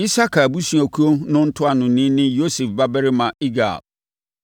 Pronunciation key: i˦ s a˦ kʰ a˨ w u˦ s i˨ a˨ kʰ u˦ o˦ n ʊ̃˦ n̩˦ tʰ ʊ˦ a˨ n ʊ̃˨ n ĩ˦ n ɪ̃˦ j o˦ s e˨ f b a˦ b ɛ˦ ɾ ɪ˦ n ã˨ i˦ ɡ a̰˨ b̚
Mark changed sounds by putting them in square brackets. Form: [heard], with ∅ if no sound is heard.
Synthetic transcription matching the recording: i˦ s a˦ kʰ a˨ [b] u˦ s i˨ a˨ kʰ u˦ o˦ n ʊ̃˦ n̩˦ tʰ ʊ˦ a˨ n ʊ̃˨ n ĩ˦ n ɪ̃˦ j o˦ s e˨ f b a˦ b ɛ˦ ɾ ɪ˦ [m] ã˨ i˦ ɡ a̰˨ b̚